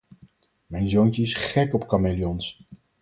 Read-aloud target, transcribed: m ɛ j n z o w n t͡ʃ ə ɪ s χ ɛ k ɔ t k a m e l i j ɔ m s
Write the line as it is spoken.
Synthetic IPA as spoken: m ɛ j n z o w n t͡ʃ ə ɪ s χ ɛ k ɔ p k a m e l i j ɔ n s